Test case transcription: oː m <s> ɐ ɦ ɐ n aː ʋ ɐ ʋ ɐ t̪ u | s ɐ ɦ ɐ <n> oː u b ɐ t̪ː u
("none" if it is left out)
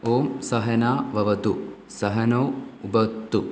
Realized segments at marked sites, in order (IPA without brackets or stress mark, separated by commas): s, n